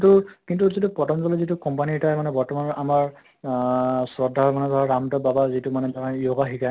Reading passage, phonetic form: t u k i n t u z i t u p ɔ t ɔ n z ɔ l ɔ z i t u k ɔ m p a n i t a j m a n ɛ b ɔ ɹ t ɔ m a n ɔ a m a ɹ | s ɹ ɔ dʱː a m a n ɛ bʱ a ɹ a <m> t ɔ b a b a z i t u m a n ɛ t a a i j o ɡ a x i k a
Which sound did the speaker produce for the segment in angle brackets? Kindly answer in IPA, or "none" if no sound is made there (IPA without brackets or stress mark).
m